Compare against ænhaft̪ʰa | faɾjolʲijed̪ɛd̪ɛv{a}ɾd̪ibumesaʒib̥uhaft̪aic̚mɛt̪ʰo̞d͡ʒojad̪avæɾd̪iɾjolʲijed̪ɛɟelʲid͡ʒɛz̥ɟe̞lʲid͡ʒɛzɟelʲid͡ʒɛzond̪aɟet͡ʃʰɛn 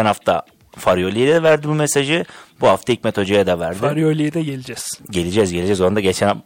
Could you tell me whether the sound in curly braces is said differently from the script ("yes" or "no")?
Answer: yes